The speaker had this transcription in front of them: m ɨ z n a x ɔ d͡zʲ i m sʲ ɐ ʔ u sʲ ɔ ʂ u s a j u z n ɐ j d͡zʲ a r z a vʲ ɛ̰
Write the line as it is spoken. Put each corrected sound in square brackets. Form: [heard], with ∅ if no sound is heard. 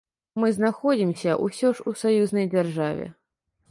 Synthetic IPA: m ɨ z n a x ɔ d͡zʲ i m sʲ ɐ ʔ u sʲ ɔ ʂ u s a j u z n ɐ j d͡zʲ a r [ʐ] a vʲ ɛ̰